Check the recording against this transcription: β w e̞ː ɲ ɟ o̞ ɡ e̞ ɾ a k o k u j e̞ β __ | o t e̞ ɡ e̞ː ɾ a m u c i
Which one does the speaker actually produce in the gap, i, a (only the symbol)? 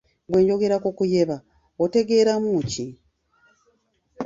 a